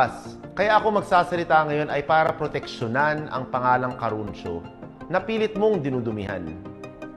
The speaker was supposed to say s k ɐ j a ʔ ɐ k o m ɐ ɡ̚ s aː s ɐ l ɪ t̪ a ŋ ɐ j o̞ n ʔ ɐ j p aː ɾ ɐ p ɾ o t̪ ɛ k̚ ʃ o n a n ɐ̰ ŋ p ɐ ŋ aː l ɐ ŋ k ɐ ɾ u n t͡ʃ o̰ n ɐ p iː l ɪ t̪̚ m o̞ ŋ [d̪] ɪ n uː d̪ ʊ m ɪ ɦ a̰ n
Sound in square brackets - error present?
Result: no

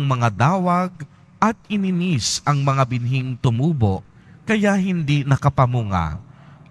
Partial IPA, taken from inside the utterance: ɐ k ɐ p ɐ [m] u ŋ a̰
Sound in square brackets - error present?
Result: no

